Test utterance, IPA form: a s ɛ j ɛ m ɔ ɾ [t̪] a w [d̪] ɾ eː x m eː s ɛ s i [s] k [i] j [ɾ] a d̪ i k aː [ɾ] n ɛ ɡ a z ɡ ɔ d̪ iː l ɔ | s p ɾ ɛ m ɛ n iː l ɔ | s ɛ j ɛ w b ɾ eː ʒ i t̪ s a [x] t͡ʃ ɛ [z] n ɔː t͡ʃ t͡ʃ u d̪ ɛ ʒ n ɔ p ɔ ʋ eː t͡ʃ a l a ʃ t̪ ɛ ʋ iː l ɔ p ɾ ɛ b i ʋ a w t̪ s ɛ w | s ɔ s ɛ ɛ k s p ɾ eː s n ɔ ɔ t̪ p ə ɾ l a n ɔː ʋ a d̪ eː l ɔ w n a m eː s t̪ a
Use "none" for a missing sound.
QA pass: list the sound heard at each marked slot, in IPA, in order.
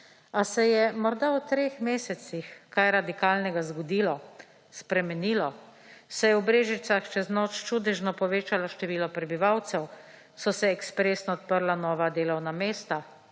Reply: d̪, t̪, x, a, ɾ, l, x, z

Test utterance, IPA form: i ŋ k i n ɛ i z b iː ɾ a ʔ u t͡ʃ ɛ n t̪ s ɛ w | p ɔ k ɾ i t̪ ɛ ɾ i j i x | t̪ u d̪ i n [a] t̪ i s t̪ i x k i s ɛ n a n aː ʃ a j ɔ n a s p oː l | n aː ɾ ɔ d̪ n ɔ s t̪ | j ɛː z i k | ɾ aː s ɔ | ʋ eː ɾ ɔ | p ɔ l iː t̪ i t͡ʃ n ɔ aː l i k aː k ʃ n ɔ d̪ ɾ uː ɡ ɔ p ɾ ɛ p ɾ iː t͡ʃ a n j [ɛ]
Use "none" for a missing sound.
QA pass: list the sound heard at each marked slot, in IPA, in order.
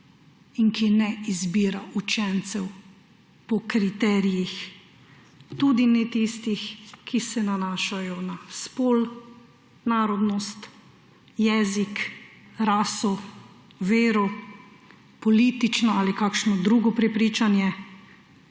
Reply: ɛ, ɛ

